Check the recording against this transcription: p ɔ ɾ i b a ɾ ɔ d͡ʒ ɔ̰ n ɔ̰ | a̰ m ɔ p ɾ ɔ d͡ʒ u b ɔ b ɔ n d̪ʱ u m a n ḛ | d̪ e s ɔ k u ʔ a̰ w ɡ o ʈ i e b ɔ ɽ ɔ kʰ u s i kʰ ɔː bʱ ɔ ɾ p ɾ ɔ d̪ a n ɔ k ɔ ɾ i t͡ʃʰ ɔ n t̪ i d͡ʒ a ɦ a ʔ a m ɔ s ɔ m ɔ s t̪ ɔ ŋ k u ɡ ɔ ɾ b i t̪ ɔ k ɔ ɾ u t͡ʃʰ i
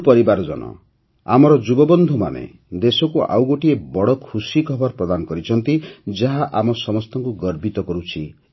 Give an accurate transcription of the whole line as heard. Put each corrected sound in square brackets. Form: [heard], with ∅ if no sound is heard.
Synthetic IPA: p ɔ ɾ i b a ɾ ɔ d͡ʒ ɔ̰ n ɔ̰ | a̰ m ɔ [∅] ɾ ɔ d͡ʒ u b ɔ b ɔ n d̪ʱ u m a n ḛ | d̪ e s ɔ k u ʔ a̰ w ɡ o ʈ i e b ɔ ɽ ɔ kʰ u s i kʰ [ɔ] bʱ ɔ ɾ p ɾ ɔ d̪ a n ɔ k ɔ ɾ i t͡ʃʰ ɔ n t̪ i d͡ʒ a ɦ a ʔ a m ɔ s ɔ m ɔ s t̪ ɔ ŋ k u ɡ ɔ ɾ b i t̪ ɔ k ɔ ɾ u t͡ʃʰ i